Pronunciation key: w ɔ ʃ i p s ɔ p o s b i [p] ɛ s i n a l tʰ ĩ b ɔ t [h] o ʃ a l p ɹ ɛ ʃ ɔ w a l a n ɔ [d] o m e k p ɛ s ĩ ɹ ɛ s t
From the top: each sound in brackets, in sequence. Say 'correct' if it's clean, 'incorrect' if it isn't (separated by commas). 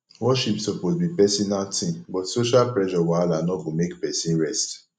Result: correct, incorrect, incorrect